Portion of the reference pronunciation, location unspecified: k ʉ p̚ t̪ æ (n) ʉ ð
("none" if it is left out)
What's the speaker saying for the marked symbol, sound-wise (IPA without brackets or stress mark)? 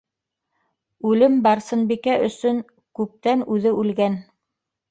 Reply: n